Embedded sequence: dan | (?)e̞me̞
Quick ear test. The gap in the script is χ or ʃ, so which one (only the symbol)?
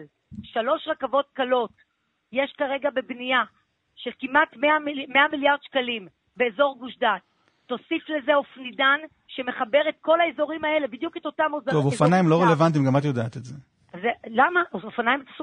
ʃ